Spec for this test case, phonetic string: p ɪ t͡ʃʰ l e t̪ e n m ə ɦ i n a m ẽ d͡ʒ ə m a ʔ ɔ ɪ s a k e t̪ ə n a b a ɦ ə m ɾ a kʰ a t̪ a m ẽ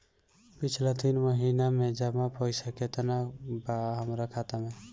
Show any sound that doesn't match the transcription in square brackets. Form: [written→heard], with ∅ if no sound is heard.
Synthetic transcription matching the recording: p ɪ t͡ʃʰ l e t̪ [e→i] n m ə ɦ i n a m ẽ d͡ʒ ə m a [ʔ→p] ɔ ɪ s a k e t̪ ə n a b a ɦ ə m ɾ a kʰ a t̪ a m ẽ